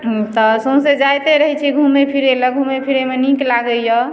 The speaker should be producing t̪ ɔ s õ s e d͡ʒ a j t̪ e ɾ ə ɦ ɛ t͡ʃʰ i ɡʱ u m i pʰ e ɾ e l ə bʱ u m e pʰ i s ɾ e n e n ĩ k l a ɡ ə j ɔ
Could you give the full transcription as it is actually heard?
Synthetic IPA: t̪ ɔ s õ s e d͡ʒ a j t̪ e ɾ ə ɦ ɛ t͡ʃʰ i ɡʱ u m e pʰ i ɾ e l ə ɡʱ u m e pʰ i ɾ e m e n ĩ k l a ɡ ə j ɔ